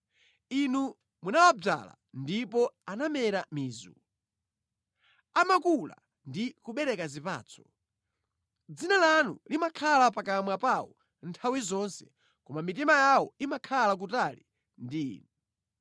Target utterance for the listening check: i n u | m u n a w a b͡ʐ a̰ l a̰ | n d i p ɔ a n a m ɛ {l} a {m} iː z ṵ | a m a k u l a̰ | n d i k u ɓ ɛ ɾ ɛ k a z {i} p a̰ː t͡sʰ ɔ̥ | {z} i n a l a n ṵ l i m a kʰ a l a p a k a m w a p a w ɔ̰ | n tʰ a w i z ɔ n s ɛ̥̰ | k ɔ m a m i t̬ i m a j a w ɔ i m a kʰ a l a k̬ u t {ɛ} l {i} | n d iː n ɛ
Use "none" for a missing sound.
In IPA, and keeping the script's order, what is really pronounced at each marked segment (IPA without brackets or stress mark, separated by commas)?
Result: ɾ, m, i, d͡z, a, i